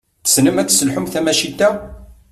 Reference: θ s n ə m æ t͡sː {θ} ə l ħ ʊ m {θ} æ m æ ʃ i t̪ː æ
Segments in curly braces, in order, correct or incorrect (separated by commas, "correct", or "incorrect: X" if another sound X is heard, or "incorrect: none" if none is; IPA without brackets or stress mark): incorrect: s, correct